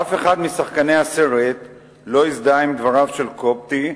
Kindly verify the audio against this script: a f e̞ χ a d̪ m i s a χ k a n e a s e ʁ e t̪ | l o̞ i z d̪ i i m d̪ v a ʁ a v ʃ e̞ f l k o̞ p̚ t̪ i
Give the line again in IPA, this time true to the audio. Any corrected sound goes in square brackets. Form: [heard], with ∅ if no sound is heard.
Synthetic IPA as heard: a f e̞ χ a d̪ m i s a χ k a n e a s e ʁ e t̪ | l o̞ i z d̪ [a] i m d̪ v a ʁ a v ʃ e̞ [∅] l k o̞ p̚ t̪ i